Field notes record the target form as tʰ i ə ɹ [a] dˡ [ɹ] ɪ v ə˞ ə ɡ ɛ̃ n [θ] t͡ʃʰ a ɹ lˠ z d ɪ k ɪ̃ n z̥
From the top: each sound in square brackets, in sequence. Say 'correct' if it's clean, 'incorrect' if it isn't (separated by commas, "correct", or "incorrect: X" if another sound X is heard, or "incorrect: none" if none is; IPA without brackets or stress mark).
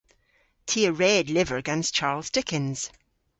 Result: incorrect: ɛ, incorrect: l, incorrect: s